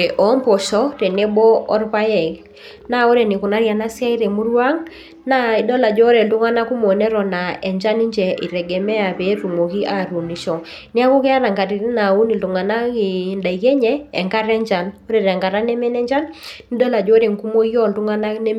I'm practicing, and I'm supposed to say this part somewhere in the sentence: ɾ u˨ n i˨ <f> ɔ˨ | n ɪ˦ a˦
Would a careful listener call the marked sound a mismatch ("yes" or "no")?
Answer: yes